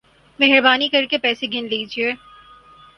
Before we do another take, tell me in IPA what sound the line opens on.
m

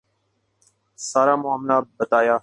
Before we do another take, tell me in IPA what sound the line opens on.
s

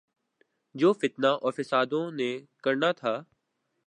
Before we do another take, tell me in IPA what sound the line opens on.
d͡ʒ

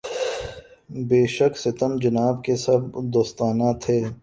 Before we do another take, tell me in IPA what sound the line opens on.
b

